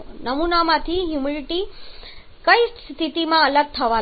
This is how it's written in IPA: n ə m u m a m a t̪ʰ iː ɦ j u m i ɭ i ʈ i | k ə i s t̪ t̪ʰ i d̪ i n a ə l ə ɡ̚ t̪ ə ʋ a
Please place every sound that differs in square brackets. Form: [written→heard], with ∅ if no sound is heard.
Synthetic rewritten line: n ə m u [m→n] a m a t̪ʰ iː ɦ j u m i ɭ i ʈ i | k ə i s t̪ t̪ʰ i [d̪→t̪] i [n→m] a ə l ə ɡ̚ [t̪→t̪ʰ] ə ʋ a